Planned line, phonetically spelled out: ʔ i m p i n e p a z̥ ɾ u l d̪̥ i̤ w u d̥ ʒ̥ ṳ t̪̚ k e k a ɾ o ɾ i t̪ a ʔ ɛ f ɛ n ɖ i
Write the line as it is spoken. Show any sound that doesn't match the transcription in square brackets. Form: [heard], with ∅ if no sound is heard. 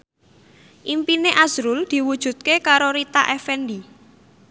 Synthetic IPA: ʔ i m p i n e [ʔ] a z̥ ɾ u l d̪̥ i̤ w u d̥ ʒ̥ ṳ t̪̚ k e k a ɾ o ɾ i t̪ a ʔ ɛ f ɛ n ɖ i